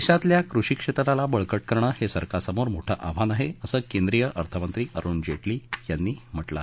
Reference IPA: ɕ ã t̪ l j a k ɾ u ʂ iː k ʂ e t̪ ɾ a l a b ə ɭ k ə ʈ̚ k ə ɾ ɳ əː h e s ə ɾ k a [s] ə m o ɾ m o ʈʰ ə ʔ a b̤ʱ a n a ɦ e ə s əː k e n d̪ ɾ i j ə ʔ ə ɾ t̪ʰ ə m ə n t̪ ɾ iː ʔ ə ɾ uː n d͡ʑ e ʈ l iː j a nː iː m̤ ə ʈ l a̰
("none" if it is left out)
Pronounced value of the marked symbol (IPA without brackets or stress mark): s